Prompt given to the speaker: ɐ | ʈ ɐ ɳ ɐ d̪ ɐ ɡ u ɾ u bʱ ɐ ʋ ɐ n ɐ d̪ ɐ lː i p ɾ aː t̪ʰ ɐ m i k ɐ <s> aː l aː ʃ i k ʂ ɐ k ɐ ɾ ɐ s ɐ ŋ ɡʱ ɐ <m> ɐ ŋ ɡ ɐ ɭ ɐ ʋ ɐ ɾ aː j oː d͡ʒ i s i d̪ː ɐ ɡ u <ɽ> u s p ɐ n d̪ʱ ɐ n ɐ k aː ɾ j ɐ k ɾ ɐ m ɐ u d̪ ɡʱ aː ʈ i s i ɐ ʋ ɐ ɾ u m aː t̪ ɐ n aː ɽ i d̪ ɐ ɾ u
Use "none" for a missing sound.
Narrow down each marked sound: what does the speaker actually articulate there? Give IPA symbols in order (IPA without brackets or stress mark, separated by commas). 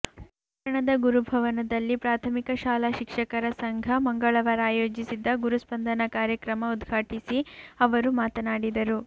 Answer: ʃ, m, ɾ